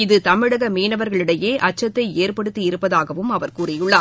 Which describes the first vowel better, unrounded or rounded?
unrounded